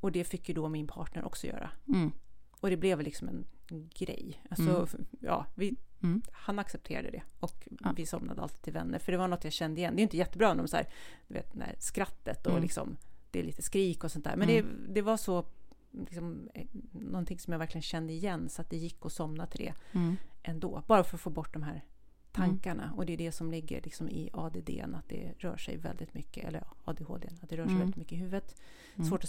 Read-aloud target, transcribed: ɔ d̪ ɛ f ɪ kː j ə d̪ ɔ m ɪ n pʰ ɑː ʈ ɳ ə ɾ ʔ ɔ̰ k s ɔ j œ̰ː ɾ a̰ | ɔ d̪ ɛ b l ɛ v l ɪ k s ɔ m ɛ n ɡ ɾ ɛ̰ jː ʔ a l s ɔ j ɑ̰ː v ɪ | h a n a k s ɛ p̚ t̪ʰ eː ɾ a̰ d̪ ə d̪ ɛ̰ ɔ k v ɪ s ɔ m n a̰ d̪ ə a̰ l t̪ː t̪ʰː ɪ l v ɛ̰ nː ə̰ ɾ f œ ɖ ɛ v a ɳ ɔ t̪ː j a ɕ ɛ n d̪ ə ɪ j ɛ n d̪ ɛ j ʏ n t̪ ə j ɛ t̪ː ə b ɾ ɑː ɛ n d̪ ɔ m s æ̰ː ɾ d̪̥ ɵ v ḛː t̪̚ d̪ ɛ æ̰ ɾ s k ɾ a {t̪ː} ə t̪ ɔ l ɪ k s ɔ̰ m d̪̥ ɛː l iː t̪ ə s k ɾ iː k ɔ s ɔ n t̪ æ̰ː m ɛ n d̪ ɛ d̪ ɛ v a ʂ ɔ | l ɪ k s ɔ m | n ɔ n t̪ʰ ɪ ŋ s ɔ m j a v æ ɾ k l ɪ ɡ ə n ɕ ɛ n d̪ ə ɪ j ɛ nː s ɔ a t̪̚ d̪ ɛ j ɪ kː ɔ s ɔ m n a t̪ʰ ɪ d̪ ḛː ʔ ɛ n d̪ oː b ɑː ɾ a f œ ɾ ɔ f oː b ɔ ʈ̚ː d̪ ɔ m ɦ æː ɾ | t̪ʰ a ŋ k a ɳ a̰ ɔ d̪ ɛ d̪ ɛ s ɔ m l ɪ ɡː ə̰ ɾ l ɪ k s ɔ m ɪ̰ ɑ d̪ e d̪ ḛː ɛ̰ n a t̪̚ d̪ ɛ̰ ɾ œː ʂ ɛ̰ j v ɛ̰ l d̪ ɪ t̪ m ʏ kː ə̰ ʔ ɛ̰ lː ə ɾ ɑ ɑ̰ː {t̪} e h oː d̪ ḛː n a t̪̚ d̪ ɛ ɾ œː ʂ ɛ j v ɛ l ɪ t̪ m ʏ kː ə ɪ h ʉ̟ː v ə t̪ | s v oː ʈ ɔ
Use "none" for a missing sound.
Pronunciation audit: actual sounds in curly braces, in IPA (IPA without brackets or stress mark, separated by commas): t̪ː, d̪